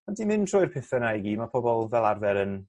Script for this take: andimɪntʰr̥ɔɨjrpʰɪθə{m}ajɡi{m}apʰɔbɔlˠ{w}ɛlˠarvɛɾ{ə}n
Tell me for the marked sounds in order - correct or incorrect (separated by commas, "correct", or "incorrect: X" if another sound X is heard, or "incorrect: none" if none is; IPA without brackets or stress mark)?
incorrect: n, correct, incorrect: v, correct